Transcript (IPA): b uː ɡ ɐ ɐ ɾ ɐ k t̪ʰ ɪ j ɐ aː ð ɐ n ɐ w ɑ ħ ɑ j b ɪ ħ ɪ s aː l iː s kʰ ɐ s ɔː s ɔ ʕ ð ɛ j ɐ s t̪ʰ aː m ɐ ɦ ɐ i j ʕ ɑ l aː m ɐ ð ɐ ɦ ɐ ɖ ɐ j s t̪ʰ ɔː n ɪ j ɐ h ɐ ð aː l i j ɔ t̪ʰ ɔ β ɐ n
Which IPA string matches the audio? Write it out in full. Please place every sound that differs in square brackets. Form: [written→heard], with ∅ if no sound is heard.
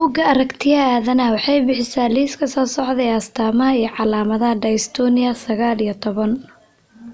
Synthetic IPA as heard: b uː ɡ ɐ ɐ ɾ ɐ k t̪ʰ ɪ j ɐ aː ð ɐ n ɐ w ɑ ħ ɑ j b ɪ ħ ɪ s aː l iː s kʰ ɐ s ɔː s ɔ ʕ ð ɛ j ɐ s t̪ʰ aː m ɐ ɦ ɐ i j ʕ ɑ l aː m ɐ ð ɐ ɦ ɐ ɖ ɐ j s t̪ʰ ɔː n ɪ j ɐ [h→s] ɐ [ð→ɣ] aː l i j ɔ t̪ʰ ɔ β ɐ n